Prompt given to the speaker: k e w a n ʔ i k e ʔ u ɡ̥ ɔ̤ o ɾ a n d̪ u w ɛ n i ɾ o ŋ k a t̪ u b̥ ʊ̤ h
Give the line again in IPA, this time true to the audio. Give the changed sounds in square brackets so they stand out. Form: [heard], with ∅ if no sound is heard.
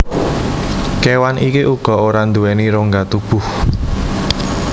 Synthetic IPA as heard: k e w a n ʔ i k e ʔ u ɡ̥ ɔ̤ o ɾ a n d̪ u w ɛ n i ɾ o ŋ [ɡ] a t̪ u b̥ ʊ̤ h

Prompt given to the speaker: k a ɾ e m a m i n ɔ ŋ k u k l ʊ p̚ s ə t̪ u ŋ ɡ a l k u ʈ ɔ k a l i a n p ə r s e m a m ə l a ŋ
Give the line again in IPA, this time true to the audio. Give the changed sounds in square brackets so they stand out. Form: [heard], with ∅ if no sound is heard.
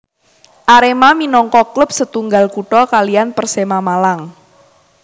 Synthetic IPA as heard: [ʔ] a ɾ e m a m i n ɔ ŋ k [ɔ] k l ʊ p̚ s ə t̪ u ŋ ɡ a l k u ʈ ɔ k a l i a n p ə r s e m a m [a] l a ŋ

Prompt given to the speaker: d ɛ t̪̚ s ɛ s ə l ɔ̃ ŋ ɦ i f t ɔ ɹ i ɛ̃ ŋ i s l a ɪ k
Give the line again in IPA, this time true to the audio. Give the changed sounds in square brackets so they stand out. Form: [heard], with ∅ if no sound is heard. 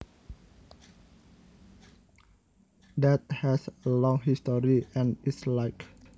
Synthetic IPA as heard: d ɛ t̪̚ [h] ɛ s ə l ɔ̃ ŋ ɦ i [s] t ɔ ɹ i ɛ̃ [n] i s l a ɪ k

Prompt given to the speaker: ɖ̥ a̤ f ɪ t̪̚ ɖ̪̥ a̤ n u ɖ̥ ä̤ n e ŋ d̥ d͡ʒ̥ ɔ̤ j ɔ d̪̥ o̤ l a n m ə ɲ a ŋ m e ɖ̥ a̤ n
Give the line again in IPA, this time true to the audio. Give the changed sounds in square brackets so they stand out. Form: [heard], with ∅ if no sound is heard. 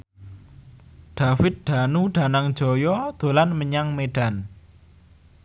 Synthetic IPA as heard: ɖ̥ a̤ f ɪ t̪̚ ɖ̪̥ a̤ n u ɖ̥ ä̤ n [a] ŋ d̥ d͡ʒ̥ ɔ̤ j ɔ d̪̥ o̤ l a n m ə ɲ a ŋ m e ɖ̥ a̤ n

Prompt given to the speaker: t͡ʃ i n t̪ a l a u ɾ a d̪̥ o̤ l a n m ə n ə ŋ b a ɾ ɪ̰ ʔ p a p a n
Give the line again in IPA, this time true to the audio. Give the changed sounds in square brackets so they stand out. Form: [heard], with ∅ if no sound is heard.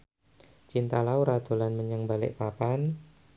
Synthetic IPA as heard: t͡ʃ i n t̪ a l a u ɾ a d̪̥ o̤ l a n m ə [ɲ] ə ŋ b a [l] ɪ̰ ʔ p a p a n

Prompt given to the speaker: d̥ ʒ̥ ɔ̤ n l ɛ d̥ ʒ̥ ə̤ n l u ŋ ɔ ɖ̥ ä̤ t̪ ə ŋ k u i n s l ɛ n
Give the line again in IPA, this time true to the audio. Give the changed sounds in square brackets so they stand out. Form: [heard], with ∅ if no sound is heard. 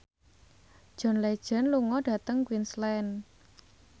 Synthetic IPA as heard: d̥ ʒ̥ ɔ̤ n l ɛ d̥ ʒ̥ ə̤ n l u ŋ ɔ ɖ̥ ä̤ t̪ ə ŋ k [w] i n s l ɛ n

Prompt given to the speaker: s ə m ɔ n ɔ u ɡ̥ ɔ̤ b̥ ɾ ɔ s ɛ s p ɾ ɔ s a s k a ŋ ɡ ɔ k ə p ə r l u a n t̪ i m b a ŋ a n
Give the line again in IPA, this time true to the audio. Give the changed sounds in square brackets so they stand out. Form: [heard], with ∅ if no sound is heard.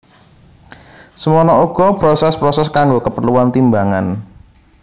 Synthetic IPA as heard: s ə m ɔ n ɔ u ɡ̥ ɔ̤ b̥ ɾ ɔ s ɛ s p ɾ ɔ s [ɛ] s k a ŋ ɡ [o] k ə p ə r l u a n t̪ i m b a ŋ a n

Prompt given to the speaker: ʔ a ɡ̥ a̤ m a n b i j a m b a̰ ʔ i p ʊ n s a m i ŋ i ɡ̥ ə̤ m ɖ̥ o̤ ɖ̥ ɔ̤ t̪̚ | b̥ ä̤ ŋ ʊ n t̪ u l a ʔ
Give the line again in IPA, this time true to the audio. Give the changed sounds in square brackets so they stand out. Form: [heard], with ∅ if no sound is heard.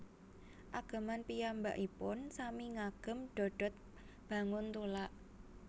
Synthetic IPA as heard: ʔ a ɡ̥ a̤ m a n [p] i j a m b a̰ ʔ i p ʊ n s a m i ŋ [a] ɡ̥ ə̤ m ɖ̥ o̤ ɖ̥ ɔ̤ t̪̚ | b̥ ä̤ ŋ ʊ n t̪ u l a ʔ

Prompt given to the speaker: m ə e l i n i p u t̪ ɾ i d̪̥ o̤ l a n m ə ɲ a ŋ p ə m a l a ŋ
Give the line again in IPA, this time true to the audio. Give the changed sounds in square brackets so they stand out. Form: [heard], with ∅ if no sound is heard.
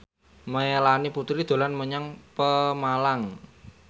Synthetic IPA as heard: m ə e l [a] n i p u t̪ ɾ i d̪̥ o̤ l a n m ə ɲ a ŋ p ə m a l a ŋ

